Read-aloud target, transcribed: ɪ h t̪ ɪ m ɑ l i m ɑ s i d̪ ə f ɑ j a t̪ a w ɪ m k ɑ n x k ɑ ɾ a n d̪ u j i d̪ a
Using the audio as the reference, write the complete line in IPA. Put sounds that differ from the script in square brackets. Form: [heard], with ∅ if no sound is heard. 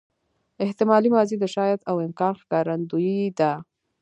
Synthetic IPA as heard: ɪ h t̪ ɪ m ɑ l i m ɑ [z] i d̪ ə [ʃ] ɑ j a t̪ a w ɪ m k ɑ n x k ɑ ɾ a n d̪ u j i d̪ a